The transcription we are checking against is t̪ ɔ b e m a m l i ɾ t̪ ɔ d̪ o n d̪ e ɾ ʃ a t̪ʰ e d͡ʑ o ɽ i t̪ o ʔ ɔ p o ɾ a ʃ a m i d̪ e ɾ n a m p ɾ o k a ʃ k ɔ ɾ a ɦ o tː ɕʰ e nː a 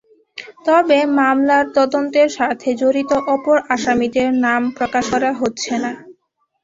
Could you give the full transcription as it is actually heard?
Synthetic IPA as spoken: t̪ ɔ b e m a m l a ɾ t̪ ɔ d̪ o n t̪ e ɾ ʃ a t̪ʰ e d͡ʑ o ɾ i t̪ o ʔ ɔ p o ɾ a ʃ a m i d̪ e ɾ n a m p ɾ o k a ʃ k ɔ ɾ a ɦ o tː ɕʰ e n a